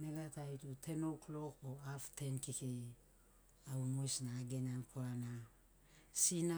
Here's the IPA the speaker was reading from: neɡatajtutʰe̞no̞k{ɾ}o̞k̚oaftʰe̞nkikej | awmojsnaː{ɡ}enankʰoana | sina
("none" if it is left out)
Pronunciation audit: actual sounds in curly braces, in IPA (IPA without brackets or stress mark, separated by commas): l, ɡ